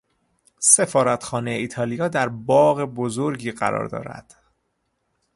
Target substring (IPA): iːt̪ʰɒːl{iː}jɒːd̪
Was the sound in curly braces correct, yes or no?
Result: no